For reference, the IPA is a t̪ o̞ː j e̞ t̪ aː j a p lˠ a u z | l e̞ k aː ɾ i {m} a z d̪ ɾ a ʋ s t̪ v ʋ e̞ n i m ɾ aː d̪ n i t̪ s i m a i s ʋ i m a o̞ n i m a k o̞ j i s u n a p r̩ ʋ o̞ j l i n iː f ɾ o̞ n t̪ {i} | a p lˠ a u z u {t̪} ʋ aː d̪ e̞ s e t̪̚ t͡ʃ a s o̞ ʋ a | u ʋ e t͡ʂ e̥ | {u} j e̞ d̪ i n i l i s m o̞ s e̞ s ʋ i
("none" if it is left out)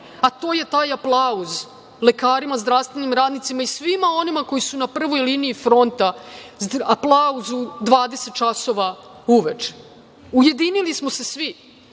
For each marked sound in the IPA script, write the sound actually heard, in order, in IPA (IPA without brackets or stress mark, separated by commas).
m, a, d̪, u